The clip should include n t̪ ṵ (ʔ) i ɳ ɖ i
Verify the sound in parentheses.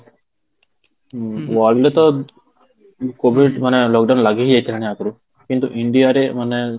correct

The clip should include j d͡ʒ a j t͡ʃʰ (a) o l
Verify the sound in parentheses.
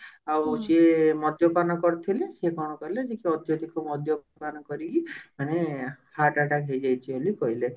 incorrect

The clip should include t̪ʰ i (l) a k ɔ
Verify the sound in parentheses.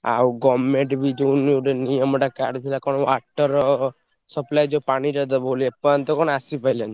correct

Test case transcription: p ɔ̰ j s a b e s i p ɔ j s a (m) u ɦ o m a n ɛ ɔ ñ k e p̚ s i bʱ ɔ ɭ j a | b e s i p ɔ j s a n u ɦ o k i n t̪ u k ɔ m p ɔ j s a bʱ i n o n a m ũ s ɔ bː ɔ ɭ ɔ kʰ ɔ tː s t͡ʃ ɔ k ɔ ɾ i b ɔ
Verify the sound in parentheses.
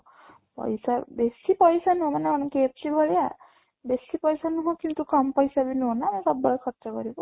incorrect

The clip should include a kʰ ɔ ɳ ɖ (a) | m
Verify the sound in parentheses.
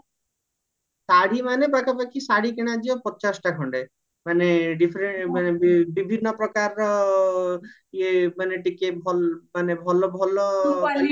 incorrect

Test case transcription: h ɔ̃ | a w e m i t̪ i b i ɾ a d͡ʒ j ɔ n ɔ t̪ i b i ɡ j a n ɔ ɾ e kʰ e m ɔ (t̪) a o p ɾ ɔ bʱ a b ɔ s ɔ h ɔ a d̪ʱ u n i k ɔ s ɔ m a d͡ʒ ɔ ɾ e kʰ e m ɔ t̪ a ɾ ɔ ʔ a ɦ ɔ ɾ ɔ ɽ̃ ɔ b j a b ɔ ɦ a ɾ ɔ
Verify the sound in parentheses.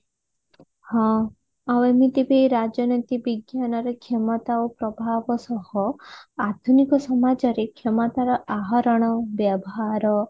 correct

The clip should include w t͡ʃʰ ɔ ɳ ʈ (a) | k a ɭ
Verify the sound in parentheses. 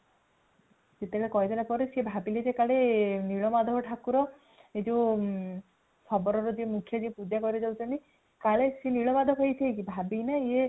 incorrect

